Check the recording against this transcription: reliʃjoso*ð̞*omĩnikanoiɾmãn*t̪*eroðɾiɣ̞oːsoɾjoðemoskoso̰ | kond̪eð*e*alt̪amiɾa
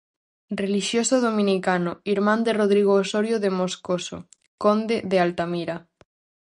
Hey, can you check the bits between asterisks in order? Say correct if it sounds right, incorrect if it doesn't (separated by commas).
correct, incorrect, correct